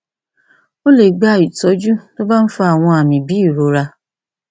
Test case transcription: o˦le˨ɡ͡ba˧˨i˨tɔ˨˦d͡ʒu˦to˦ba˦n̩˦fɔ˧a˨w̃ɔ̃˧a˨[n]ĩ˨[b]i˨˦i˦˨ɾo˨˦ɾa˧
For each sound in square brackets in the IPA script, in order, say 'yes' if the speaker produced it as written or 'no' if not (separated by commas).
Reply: no, yes